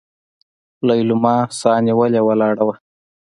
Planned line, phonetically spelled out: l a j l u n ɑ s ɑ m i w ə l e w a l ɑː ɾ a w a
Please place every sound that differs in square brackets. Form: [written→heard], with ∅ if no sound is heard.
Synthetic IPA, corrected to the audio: l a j l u [n→m] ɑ s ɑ [m→n] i w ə l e w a l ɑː [ɾ→ɽ] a w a